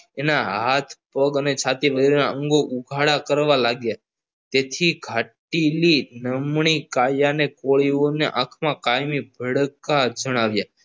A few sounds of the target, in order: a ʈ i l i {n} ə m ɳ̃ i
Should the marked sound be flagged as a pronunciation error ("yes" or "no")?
no